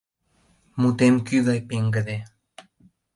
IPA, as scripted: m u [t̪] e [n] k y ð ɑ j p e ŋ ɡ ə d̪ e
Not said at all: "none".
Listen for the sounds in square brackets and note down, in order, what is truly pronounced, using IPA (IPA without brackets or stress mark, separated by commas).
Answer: t̪, m